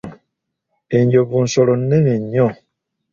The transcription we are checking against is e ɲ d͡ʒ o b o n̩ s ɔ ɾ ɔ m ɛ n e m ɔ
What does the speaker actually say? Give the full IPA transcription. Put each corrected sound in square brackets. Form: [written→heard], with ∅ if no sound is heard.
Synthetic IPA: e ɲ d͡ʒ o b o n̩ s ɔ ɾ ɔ [m→n] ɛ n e [m→ɲ] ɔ